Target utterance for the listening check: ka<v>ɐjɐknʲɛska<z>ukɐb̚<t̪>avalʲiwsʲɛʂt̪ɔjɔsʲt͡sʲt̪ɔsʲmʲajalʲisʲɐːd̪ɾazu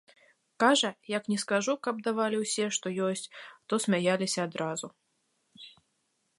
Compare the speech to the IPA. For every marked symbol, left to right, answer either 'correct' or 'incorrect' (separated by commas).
incorrect, incorrect, incorrect